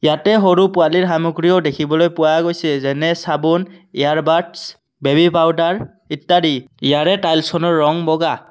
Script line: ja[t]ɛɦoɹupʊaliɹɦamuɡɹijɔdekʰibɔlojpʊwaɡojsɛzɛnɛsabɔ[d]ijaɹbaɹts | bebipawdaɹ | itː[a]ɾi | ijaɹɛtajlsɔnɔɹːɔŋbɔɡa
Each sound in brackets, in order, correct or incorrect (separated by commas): correct, incorrect, correct